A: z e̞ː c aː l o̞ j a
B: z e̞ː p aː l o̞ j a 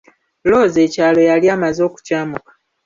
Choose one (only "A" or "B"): A